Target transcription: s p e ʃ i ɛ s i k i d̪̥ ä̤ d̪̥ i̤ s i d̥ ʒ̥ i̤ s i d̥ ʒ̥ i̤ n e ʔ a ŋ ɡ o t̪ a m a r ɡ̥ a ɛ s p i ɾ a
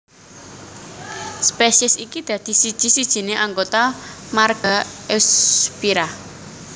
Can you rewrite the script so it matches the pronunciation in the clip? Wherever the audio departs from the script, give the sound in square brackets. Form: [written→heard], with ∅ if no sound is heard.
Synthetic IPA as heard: s p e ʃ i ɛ s i k i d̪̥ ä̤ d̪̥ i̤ s i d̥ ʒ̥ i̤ s i d̥ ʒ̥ i̤ n e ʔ a ŋ ɡ o t̪ a m a r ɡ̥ a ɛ s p i ɾ a